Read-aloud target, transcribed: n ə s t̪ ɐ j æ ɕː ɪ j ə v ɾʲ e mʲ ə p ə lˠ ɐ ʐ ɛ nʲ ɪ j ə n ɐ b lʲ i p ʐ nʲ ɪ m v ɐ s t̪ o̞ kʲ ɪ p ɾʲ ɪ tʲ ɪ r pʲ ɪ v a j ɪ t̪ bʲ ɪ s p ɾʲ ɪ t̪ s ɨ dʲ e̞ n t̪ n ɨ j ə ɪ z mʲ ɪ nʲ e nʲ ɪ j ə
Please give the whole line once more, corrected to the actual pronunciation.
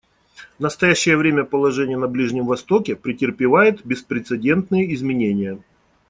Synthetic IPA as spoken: n ə s t̪ ɐ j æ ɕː ɪ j ə v ɾʲ e mʲ ə p ə lˠ ɐ ʐ ɛ nʲ ɪ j ə n ɐ b lʲ i ʐ nʲ ɪ m v ɐ s t̪ o̞ kʲ ɪ p ɾʲ ɪ tʲ ɪ r pʲ ɪ v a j ɪ t̪ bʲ ɪ s p ɾʲ ɪ t̪ s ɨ dʲ e̞ n t̪ n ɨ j ə ɪ z mʲ ɪ nʲ e nʲ ɪ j ə